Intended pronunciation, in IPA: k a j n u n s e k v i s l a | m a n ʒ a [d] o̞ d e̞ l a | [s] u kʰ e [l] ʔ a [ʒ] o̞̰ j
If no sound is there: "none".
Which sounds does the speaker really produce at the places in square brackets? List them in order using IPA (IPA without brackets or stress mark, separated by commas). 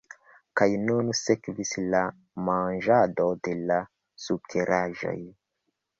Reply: d, s, ɾ, ʒ